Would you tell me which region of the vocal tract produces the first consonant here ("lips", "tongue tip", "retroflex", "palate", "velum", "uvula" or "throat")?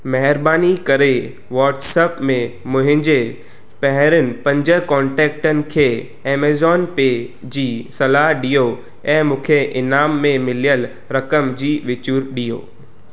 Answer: lips